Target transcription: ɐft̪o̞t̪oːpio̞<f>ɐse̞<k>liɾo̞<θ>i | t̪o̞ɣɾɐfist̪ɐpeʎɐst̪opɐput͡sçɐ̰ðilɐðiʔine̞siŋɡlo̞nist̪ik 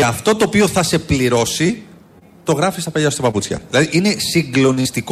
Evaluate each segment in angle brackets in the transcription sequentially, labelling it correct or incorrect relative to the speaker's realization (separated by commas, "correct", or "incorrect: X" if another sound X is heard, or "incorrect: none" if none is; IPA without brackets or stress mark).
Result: incorrect: θ, incorrect: p, incorrect: s